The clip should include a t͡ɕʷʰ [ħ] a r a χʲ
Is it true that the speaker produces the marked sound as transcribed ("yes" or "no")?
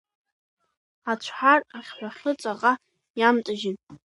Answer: yes